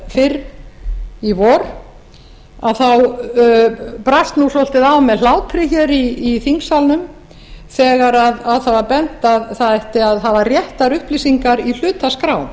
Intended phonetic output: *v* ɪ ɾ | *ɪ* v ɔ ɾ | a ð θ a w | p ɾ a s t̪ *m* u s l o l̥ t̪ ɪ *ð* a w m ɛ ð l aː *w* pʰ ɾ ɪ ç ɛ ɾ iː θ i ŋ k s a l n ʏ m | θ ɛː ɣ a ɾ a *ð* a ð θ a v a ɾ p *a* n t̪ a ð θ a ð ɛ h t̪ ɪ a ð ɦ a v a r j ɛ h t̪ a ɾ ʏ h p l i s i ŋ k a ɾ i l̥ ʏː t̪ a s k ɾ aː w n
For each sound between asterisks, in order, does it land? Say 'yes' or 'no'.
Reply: no, no, no, yes, yes, yes, no

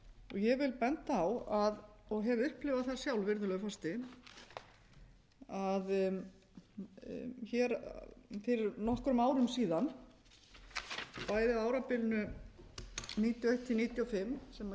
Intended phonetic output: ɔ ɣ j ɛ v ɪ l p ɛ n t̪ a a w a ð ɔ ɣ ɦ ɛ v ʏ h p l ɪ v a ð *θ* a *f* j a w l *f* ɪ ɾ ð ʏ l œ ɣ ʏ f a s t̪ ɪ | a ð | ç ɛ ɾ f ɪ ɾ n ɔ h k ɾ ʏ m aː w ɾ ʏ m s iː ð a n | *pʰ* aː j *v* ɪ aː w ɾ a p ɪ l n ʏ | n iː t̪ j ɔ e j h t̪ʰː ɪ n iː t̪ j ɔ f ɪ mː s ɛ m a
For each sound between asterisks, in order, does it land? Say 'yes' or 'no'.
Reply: yes, no, no, no, no

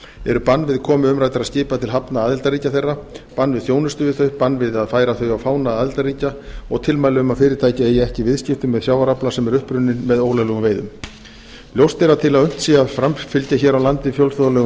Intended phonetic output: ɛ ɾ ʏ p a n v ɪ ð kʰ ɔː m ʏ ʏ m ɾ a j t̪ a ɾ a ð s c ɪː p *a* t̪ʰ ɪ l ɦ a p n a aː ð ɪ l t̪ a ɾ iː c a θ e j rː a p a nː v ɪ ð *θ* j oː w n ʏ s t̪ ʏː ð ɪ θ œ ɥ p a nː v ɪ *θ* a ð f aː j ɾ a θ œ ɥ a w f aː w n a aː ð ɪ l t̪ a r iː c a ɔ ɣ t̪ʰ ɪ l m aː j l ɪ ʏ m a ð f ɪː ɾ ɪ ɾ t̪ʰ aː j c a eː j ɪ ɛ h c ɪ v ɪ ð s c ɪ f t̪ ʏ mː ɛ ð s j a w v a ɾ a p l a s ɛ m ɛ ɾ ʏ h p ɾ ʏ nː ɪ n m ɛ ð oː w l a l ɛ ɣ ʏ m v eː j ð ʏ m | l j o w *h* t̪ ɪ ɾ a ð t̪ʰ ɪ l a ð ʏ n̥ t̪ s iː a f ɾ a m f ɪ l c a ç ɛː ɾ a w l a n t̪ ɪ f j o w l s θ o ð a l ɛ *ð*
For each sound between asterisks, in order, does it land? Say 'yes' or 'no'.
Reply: yes, yes, no, no, no

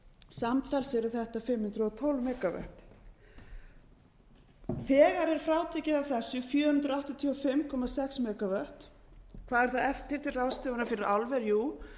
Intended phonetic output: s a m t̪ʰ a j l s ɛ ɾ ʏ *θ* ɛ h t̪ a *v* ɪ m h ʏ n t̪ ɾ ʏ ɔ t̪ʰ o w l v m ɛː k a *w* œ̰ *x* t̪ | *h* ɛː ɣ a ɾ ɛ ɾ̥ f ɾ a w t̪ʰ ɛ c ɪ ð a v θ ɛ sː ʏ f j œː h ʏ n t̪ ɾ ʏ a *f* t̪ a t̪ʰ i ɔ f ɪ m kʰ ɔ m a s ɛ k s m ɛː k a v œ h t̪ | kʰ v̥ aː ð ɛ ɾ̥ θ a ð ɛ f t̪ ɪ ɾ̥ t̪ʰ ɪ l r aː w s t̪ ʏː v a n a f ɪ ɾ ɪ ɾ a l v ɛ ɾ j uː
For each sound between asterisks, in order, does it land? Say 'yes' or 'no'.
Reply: yes, no, no, no, no, no

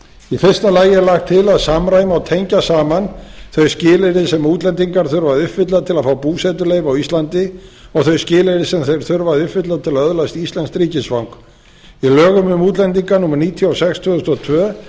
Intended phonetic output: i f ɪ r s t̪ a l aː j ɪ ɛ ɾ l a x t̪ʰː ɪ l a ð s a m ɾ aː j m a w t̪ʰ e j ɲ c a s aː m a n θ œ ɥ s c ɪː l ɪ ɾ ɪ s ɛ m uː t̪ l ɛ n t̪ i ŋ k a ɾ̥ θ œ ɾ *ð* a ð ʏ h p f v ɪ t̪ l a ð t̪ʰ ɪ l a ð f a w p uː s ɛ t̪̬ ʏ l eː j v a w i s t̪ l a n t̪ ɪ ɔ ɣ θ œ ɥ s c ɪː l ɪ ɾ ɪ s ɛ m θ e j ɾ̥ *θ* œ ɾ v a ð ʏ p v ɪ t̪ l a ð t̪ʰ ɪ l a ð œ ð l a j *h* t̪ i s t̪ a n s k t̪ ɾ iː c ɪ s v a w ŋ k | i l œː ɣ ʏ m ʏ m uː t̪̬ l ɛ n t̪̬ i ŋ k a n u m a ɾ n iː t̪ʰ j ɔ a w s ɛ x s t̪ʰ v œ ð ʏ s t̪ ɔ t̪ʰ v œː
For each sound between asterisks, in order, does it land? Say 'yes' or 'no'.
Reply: no, yes, no

